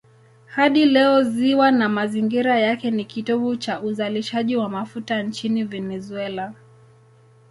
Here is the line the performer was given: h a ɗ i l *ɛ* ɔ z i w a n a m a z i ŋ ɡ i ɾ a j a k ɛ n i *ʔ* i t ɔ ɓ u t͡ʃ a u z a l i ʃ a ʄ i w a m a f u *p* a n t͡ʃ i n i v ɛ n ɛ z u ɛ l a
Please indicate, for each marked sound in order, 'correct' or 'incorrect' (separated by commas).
correct, incorrect, incorrect